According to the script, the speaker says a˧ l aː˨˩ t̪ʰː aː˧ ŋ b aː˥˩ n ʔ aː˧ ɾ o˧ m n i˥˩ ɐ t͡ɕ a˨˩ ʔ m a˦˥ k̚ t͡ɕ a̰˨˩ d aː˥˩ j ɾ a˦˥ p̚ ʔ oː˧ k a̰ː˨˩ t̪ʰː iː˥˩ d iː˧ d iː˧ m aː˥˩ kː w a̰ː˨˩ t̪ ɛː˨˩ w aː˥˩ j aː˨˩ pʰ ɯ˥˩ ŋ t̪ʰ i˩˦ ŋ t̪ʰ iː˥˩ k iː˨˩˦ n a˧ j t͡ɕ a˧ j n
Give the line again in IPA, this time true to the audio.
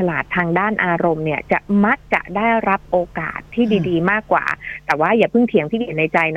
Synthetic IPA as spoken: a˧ l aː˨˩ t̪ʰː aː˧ ŋ d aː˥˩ n ʔ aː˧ ɾ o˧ m n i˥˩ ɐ t͡ɕ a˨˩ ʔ m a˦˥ k̚ t͡ɕ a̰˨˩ d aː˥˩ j ɾ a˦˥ p̚ ʔ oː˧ k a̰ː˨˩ t̪ʰː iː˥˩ d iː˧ d iː˧ m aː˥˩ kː w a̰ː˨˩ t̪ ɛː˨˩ w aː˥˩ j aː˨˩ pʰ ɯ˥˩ ŋ t̪ʰ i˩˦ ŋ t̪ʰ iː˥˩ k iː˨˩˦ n a˧ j t͡ɕ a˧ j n